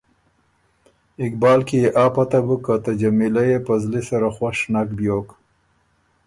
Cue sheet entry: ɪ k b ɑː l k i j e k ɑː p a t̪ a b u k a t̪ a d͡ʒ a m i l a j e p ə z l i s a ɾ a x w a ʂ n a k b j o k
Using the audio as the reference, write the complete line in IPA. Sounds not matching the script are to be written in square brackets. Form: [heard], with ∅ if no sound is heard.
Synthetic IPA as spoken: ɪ k b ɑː l k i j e [ʔ] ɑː p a t̪ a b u k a t̪ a d͡ʒ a m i l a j e p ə z l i s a ɾ a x w a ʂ n a k b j o k

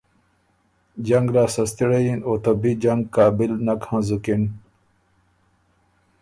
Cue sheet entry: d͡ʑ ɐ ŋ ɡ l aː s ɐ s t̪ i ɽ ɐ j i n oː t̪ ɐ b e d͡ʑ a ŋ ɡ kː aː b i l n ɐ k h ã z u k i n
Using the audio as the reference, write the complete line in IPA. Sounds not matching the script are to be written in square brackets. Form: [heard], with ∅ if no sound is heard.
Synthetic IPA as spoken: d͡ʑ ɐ ŋ ɡ l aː s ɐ s t̪ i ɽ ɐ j i n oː t̪ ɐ b [i] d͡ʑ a ŋ ɡ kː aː b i l n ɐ k h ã z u k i n

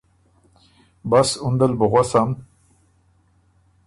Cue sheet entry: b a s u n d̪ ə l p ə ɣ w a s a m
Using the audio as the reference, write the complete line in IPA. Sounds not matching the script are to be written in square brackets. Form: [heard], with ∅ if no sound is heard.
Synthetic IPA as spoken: b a s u n d̪ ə l [b] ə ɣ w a s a m

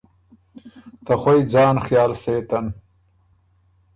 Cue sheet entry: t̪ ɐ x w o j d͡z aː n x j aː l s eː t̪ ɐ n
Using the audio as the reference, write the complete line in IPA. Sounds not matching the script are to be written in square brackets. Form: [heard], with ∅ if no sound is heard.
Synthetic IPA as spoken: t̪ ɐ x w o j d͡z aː n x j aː l s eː t̪ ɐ n

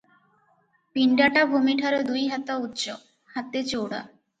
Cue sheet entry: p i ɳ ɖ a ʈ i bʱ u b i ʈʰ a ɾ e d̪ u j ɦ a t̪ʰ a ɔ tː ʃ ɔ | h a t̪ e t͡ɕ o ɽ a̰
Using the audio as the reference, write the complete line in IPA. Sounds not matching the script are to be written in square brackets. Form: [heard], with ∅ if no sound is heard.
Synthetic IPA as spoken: p i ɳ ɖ a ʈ [a] bʱ u [m] i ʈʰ a ɾ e d̪ u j ɦ a [t̪] a [u] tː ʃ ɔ | h a t̪ e t͡ɕ o ɽ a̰

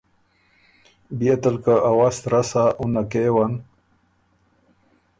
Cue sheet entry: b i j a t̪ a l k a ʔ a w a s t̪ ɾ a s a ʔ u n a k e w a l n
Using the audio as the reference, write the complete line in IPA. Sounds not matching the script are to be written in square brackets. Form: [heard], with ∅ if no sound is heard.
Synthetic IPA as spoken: b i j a t̪ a l k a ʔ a w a s t̪ ɾ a s a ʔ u n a k e w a [∅] n

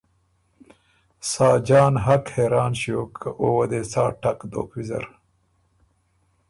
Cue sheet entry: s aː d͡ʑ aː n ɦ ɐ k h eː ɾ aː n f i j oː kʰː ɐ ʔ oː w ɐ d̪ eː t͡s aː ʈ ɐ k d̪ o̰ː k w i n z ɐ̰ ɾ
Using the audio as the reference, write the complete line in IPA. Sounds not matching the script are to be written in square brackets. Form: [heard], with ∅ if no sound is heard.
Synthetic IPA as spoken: s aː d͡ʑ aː n ɦ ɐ k h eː ɾ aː n [ɕ] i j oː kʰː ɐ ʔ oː w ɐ d̪ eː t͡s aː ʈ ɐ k d̪ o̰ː k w i [∅] z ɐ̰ ɾ

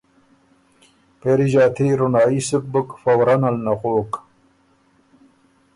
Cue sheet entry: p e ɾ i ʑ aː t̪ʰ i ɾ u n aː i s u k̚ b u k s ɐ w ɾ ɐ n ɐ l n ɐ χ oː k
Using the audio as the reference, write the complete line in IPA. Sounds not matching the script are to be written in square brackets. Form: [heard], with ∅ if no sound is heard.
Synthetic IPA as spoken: p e ɾ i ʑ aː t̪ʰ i ɾ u n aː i s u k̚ b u k [f] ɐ w ɾ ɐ n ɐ l n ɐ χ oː k

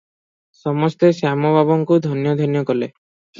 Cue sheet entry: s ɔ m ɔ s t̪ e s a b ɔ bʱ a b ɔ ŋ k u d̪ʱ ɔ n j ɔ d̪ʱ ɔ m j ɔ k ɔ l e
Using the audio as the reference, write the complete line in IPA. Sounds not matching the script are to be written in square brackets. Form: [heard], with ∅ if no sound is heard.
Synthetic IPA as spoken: s ɔ m ɔ s t̪ e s a [m] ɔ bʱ a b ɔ ŋ k u d̪ʱ ɔ n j ɔ d̪ʱ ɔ [n] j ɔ k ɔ l e

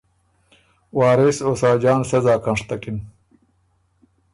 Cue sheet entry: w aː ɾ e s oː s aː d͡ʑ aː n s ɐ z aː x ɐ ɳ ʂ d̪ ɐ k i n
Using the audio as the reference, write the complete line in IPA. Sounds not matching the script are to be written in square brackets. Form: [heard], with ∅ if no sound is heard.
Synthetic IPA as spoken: w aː ɾ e s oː s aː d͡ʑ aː n s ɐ z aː [k] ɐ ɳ ʂ [t̪] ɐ k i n

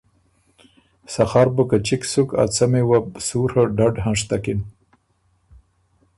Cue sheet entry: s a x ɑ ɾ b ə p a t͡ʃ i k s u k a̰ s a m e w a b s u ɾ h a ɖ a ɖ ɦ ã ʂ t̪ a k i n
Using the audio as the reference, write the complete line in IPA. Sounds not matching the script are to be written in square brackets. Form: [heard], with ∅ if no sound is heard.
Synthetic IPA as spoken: s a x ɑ ɾ b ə [k] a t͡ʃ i k s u k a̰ [t͡s] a m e w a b s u ɾ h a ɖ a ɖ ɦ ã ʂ t̪ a k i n

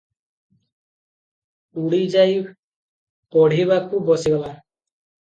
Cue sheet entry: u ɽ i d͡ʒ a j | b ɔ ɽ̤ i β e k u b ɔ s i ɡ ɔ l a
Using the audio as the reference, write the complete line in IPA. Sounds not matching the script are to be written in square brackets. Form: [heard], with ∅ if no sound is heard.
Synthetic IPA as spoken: u ɽ i d͡ʒ a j | [p] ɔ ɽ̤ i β [a] k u b ɔ s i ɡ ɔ l a

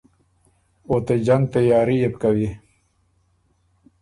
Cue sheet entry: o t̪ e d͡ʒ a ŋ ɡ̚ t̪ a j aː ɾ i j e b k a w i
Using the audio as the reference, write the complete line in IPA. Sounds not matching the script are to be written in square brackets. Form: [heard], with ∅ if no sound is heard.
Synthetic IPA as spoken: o t̪ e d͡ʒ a ŋ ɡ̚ t̪ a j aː ɾ i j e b k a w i

